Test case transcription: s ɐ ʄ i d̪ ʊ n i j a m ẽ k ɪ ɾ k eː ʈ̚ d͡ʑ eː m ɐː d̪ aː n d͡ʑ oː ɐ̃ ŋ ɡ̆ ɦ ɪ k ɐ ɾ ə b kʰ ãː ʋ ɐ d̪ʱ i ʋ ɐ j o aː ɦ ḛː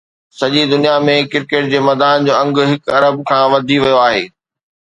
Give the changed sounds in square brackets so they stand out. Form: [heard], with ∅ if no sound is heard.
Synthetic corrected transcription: s ɐ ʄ i d̪ ʊ n i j a m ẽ k ɪ ɾ k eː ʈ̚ d͡ʑ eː m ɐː d̪ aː n d͡ʑ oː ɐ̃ ŋ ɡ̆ ɦ ɪ k ɐ ɾ ə b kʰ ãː ʋ ɐ d̪ʱ i ʋ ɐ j o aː ɦ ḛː